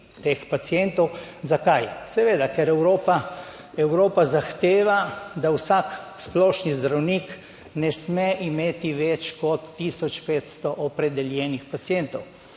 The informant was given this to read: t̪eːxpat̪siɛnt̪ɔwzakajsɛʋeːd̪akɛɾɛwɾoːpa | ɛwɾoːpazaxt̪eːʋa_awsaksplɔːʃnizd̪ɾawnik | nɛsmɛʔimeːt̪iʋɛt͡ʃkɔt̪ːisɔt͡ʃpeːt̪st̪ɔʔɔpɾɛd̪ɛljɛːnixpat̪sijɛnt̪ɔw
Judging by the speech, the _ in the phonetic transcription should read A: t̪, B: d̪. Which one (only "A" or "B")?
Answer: B